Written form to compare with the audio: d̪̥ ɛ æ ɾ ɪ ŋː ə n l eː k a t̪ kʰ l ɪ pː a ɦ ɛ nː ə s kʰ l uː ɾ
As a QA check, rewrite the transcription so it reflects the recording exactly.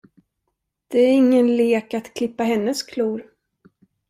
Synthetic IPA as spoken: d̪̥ ɛ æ ɾ ɪ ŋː ə n l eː k a t̪ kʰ l ɪ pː a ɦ ɛ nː ə s kʰ l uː ɾ

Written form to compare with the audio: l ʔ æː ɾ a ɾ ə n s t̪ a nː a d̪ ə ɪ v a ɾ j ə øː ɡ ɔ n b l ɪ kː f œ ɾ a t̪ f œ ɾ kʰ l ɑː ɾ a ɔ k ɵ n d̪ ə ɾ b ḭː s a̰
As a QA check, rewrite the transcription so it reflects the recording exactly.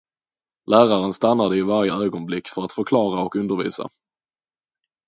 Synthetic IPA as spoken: l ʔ æː ɾ a ɾ ə n s t̪ a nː a d̪ ə ɪ v a ɾ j ə øː ɡ ɔ n b l ɪ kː f œ ɾ a t̪ f œ ɾ kʰ l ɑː ɾ a ɔ k ɵ n d̪ ə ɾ v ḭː s a̰

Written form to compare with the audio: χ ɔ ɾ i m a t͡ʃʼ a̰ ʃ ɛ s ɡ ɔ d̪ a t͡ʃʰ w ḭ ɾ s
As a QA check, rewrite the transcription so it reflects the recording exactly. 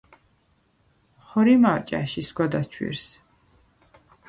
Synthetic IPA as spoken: χ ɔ ɾ i m a t͡ʃʼ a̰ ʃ i s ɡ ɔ d̪ a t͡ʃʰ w ḭ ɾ s

